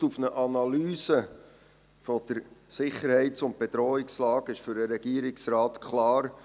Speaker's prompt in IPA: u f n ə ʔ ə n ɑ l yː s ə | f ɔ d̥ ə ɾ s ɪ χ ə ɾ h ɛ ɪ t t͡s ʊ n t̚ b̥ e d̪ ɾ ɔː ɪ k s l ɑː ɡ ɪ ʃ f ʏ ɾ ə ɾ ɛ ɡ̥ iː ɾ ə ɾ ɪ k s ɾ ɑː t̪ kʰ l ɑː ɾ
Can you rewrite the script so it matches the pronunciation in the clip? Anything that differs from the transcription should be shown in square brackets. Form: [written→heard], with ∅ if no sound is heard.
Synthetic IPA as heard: u f n ə ʔ [ə→ɑ] n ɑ l yː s ə | f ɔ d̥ ə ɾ s ɪ χ ə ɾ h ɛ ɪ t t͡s ʊ n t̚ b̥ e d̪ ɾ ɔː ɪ k s l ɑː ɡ ɪ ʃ f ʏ ɾ ə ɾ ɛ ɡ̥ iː [ɾ→∅] ə ɾ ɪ k s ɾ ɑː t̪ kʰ l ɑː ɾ